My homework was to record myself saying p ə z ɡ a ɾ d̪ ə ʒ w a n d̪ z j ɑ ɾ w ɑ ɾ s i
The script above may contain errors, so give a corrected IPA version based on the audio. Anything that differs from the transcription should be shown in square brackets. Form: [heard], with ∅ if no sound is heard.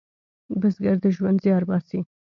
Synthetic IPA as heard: [b] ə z ɡ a ɾ d̪ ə ʒ w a n d̪ z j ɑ ɾ [b] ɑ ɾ s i